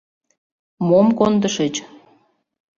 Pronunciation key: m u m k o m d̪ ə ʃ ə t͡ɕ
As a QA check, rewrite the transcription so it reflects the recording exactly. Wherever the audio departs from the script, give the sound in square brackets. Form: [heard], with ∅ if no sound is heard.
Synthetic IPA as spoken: m [o] m k o [n] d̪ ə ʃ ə t͡ɕ

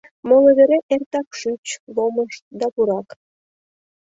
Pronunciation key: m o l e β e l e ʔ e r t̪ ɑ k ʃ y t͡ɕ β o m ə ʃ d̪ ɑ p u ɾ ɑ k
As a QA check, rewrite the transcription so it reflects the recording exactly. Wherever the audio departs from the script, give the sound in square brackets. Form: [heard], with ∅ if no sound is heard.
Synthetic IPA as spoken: m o l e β e [ɾ] e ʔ e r t̪ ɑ k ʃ y t͡ɕ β o m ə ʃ d̪ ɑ p u ɾ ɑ k

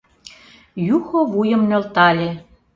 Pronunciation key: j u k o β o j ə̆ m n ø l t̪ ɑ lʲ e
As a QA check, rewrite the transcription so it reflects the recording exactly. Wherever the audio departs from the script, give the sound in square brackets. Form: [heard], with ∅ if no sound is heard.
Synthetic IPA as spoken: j u [x] o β [u] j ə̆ m n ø l t̪ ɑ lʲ e

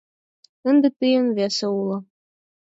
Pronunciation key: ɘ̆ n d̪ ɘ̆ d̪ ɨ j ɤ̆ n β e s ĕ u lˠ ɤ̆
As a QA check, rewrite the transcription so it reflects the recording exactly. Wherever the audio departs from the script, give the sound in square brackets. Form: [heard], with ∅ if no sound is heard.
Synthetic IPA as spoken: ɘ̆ n d̪ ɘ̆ [t̪] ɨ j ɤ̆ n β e s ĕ u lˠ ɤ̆

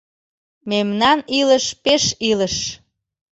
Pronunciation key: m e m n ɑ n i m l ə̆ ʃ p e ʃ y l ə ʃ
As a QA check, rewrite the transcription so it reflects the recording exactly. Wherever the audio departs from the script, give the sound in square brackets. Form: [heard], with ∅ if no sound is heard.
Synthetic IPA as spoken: m e m n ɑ n i [∅] l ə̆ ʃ p e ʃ [i] l ə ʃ

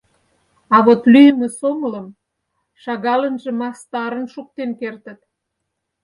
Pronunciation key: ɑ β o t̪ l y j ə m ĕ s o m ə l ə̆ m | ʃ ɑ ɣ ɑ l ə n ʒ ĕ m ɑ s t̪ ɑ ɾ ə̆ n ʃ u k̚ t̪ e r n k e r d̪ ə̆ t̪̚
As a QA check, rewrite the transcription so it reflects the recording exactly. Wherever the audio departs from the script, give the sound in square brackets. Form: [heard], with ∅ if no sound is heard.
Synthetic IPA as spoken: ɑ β o t̪ l y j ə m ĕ s o m ə l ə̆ m | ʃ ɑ ɣ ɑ l ə n ʒ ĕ m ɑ s t̪ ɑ ɾ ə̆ n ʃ u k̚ t̪ e [∅] n k e r [t̪] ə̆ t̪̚

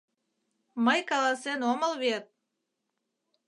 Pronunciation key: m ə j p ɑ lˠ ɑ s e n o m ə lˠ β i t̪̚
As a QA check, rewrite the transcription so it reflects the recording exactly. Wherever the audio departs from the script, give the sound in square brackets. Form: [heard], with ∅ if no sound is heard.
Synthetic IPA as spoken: m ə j [k] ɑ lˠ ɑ s e n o m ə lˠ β [e] t̪̚

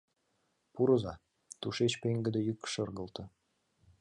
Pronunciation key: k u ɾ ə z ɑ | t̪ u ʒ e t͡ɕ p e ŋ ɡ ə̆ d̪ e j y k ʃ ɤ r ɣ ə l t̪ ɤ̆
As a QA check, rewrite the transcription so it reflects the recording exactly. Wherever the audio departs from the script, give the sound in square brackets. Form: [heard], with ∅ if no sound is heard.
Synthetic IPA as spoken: [p] u ɾ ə z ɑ | t̪ u [ʃ] e t͡ɕ p e ŋ ɡ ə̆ d̪ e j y k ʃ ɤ r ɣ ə l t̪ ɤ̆

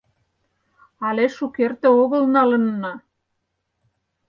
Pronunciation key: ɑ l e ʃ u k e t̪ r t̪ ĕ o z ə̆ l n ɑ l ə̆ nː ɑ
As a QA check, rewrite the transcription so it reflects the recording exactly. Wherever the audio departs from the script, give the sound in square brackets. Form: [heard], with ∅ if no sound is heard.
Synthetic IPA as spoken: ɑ l e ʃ u k e [∅] r t̪ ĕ o [ɣ] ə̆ l n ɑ l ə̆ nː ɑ

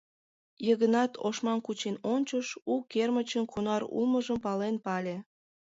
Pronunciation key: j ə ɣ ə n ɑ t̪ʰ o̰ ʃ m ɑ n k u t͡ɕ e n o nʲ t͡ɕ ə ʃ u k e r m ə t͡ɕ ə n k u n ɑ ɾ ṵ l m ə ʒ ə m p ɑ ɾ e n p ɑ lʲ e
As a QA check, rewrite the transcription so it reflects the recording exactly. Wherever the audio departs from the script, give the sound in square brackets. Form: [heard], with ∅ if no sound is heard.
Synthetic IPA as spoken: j ə ɣ ə n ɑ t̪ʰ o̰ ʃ m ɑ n k u t͡ɕ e n o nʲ t͡ɕ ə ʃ u k e r m ə t͡ɕ ə n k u n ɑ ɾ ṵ l m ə ʒ ə m p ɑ [l] e n p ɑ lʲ e

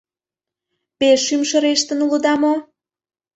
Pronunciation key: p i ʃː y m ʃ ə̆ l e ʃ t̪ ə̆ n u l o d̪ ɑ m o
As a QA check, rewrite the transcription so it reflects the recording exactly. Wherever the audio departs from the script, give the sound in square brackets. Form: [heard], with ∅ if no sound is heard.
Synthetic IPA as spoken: p [e] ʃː y m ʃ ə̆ [ɾ] e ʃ t̪ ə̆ n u l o d̪ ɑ m o

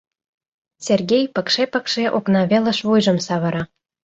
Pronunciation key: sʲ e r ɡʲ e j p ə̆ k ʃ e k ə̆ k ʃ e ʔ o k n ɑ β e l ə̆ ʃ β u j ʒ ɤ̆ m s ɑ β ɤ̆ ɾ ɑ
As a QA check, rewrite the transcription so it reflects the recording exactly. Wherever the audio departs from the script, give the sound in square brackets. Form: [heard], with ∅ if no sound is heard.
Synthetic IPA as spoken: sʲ e r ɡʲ e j p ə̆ k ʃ e [p] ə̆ k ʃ e ʔ o k n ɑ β e l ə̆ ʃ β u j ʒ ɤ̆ m s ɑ β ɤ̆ ɾ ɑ

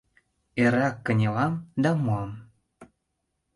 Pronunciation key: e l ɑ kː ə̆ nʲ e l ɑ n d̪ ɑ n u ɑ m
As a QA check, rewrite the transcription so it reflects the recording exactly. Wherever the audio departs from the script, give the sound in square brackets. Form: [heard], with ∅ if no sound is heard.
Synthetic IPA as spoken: e [ɾ] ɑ kː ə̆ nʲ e l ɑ [m] d̪ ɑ [m] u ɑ m

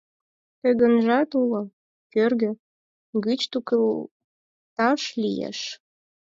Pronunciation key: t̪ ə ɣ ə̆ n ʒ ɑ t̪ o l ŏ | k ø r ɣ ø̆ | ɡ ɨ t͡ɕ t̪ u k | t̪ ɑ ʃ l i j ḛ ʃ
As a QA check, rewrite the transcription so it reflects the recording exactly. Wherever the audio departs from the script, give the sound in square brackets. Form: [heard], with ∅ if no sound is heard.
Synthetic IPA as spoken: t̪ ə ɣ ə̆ n ʒ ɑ t̪ [u] l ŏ | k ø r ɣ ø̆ | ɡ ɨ t͡ɕ t̪ u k | t̪ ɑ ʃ l i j ḛ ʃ

